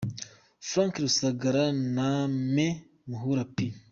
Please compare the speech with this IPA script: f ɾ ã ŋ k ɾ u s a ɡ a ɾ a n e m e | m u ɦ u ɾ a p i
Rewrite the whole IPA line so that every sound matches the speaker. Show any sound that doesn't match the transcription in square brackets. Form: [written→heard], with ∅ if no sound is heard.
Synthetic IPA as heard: f ɾ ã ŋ k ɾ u s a ɡ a ɾ a n [e→a] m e | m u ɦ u ɾ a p i